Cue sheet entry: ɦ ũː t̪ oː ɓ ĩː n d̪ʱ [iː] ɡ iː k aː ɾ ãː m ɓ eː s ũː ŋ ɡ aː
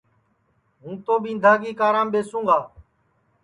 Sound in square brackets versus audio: incorrect: aː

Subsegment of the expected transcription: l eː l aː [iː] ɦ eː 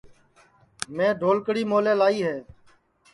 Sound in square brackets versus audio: correct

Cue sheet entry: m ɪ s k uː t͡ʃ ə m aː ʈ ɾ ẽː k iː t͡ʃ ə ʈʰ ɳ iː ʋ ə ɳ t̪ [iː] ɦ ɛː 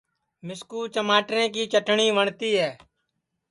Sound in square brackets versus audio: correct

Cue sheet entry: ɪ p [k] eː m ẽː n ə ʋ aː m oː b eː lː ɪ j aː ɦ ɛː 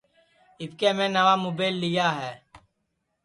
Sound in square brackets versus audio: correct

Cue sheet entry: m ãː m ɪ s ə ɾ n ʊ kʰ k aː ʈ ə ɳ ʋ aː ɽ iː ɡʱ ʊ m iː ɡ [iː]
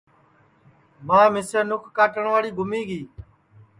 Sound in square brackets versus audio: correct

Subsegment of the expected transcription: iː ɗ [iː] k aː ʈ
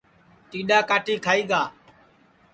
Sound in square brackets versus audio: incorrect: aː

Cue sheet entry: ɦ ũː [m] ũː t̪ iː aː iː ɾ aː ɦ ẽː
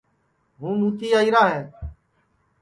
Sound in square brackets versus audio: incorrect: n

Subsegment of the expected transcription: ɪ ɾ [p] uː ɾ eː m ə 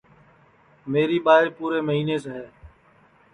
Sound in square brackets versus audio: correct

